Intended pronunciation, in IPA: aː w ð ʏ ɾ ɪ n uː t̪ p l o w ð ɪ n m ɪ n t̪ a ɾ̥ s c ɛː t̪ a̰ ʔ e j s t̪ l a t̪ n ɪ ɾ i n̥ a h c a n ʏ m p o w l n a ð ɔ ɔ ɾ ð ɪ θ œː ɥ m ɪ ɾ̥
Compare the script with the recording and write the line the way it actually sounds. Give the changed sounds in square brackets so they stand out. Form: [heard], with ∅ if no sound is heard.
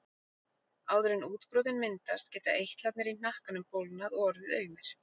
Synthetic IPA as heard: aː w ð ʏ ɾ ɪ n uː t̪ p [ɾ] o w ð ɪ n m ɪ n t̪ a ɾ̥ s c ɛː t̪ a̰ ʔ e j [h] t̪ l a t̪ n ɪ ɾ i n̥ a h [k] a n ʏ m p o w l n a ð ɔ ɔ ɾ ð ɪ [ð] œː ɥ m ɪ ɾ̥